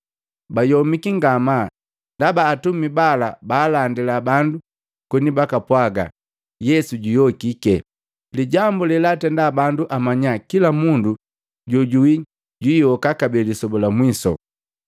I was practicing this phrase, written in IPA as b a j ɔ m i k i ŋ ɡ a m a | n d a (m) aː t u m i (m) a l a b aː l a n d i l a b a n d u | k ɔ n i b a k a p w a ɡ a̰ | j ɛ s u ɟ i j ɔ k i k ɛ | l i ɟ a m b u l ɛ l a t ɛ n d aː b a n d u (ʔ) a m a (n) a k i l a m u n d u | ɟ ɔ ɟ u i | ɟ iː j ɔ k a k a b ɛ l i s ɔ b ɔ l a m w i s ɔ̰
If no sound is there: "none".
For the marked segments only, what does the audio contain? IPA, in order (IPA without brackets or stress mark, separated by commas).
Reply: b, b, ʔ, ɲ